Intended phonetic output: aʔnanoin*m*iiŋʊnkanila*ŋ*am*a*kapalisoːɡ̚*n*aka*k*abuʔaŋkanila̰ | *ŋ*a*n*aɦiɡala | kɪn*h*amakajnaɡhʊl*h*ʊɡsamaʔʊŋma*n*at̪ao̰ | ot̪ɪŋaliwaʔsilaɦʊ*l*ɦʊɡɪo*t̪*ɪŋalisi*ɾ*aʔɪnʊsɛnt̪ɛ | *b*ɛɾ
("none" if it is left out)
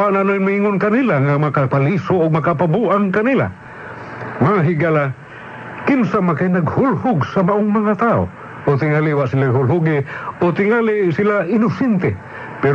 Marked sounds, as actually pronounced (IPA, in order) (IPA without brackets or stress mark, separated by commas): m, ŋ, a, m, p, m, ŋ, s, h, ŋ, l, t̪, l, p